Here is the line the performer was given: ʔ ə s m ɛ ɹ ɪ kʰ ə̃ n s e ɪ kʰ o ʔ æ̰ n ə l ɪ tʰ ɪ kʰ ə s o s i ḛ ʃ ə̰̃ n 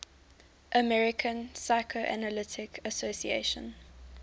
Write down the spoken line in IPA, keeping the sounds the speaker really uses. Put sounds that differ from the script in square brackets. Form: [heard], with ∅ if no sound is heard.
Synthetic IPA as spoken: ʔ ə [∅] m ɛ ɹ ɪ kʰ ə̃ n s [a] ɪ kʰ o ʔ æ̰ n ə l ɪ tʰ ɪ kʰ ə s o s i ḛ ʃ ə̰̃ n